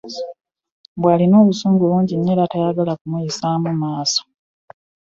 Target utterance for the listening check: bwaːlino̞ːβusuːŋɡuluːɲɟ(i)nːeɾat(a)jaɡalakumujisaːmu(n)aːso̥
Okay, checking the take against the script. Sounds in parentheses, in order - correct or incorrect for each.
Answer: correct, correct, incorrect

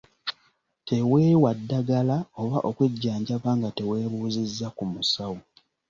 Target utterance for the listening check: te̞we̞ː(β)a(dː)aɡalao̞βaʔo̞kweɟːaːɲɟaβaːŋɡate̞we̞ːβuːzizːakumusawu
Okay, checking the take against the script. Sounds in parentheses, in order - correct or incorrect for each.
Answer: incorrect, correct

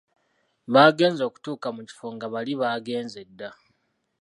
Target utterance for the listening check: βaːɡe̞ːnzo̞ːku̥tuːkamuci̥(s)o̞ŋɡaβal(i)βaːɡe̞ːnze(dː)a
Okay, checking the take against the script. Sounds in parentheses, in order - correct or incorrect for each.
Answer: incorrect, correct, correct

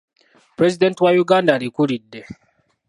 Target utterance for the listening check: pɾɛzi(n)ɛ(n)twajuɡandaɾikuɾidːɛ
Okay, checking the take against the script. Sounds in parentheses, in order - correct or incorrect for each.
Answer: incorrect, correct

